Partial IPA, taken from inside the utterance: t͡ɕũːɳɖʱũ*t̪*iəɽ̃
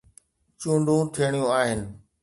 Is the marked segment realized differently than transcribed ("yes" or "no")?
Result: yes